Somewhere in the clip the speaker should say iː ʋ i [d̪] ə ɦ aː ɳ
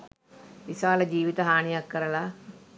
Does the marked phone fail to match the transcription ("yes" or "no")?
yes